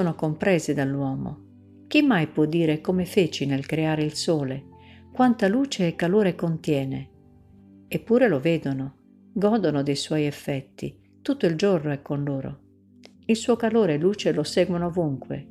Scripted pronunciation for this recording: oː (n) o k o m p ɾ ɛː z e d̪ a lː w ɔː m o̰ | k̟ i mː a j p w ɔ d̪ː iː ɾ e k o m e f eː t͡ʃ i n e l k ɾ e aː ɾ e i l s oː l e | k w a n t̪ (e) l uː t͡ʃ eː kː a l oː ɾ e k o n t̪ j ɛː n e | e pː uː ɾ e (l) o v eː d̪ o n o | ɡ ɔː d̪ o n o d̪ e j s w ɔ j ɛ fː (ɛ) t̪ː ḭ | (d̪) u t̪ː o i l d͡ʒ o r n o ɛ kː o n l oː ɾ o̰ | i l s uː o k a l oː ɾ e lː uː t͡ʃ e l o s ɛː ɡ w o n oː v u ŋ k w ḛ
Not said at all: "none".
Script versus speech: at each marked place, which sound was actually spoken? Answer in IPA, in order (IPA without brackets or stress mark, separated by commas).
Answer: n, a, l, ɛ, t̪